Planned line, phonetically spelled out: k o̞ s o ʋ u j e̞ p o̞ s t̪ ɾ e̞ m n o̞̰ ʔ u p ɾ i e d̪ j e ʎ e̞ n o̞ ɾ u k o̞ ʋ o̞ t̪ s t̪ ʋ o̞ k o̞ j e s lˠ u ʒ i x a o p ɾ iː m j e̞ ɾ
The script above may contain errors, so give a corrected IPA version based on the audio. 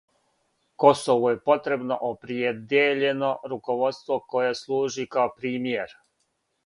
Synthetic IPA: k o̞ s o ʋ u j e̞ p o̞ t̪ ɾ e̞ b n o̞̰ ʔ o p ɾ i e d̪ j e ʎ e̞ n o̞ ɾ u k o̞ ʋ o̞ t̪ s t̪ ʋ o̞ k o̞ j e s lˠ uː ʒ i k a o p ɾ iː m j e̞ ɾ